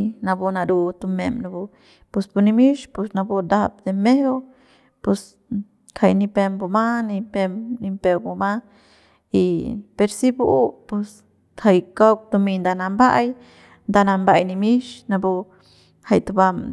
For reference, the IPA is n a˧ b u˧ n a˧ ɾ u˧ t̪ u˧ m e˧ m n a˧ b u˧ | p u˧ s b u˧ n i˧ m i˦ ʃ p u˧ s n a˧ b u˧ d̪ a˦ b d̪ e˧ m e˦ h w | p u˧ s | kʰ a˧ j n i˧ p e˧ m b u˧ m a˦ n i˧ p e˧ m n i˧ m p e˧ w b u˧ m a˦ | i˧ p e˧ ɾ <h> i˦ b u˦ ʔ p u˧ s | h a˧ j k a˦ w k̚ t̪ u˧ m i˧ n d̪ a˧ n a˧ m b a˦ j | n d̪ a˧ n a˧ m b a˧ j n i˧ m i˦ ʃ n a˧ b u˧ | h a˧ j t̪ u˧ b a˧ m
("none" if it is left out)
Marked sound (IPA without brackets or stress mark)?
s